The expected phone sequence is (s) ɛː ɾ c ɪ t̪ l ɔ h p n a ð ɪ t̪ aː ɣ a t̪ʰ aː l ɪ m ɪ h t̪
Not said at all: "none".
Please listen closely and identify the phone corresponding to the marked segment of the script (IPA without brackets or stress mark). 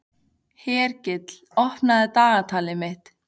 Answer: h